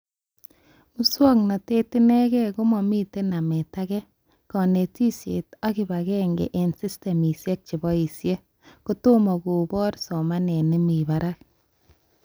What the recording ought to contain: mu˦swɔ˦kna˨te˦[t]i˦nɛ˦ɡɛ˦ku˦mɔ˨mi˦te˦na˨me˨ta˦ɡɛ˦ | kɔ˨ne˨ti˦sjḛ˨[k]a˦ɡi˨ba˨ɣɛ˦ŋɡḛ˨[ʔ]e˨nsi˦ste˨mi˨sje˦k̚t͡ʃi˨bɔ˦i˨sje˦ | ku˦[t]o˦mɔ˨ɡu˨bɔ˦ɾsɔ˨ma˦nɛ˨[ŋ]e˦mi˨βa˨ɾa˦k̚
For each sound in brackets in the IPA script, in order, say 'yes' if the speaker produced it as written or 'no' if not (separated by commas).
yes, no, yes, yes, no